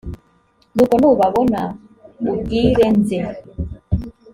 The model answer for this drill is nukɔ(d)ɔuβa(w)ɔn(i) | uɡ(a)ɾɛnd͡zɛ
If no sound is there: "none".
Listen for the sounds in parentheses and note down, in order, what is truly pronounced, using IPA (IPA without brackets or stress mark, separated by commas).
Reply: n, β, a, i